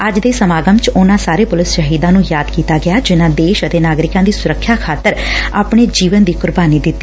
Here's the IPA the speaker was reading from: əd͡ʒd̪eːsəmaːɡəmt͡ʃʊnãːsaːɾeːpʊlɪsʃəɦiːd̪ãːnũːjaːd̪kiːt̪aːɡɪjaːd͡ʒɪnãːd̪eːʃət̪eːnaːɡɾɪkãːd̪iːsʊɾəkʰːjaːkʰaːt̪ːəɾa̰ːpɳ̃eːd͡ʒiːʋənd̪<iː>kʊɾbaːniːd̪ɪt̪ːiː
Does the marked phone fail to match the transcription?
no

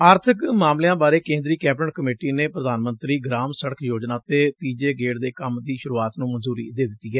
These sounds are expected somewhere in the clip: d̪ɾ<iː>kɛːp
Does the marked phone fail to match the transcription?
no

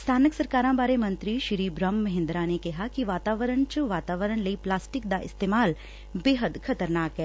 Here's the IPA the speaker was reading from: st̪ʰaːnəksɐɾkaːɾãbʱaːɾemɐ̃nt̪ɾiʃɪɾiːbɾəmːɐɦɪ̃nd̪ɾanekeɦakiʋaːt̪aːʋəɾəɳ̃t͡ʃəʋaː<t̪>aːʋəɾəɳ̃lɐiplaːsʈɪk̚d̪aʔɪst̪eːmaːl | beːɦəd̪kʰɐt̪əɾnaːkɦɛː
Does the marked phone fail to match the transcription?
no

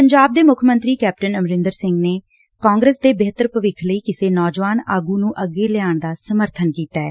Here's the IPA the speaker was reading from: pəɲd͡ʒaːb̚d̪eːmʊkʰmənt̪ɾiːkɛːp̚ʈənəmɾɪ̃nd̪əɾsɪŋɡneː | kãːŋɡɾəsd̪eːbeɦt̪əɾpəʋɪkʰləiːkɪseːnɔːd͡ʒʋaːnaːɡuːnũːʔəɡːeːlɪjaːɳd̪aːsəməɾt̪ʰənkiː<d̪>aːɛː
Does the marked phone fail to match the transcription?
yes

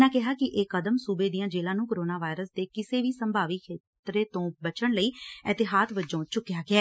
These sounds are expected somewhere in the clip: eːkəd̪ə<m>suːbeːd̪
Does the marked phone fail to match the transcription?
no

